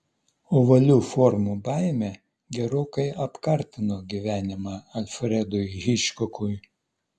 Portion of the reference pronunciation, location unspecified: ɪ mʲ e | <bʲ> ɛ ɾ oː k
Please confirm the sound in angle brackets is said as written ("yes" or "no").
no